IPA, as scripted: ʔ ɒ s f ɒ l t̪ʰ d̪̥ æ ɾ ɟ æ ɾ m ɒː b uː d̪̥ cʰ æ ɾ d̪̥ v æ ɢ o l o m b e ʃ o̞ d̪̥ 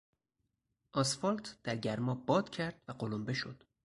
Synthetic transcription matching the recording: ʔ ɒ s f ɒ l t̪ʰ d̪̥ æ ɾ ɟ æ ɾ m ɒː b ɒː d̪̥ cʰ æ ɾ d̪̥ v æ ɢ o l o m b e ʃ o̞ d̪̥